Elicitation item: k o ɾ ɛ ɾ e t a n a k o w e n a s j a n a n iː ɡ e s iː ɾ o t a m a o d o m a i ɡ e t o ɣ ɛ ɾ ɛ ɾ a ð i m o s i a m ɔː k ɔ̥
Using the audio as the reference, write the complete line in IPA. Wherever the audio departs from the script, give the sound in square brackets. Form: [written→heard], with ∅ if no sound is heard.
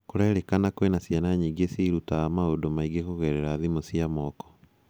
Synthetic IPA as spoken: k o ɾ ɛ ɾ e [t→k] a n a k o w e n a s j a n a [n→ɲ] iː ɡ e s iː ɾ [o→u] t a m a o d o m a i ɡ e [t→k] o ɣ ɛ ɾ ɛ ɾ a ð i m o s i a m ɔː k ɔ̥